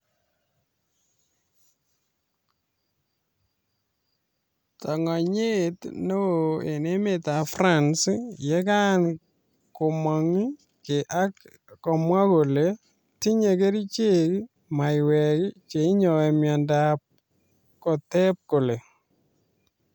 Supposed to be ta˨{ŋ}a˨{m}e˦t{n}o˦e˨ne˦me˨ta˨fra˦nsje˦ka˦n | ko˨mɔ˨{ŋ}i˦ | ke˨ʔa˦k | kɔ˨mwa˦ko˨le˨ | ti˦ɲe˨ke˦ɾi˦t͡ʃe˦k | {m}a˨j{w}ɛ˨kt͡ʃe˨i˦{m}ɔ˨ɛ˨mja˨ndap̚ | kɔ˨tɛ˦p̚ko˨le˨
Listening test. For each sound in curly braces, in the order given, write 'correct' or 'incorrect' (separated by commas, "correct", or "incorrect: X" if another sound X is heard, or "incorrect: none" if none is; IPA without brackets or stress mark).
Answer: correct, incorrect: ɲ, correct, correct, correct, correct, incorrect: ɲ